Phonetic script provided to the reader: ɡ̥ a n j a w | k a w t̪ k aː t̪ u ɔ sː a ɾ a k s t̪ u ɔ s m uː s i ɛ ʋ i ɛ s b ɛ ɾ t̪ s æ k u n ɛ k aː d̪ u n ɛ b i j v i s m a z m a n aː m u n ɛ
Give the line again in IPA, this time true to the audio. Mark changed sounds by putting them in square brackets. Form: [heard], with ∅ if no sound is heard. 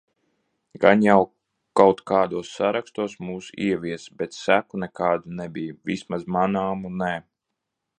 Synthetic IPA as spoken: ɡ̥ a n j a w | k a w t̪ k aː [d̪] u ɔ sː a ɾ a k s t̪ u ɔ s m uː s i ɛ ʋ i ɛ s b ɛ [∅] t̪ s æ k u n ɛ k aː d̪ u n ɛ b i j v i s m a z m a n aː m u n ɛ